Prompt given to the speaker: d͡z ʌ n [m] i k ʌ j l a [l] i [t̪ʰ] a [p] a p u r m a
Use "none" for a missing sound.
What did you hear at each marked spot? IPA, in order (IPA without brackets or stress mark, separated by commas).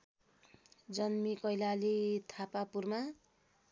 m, l, t̪ʰ, p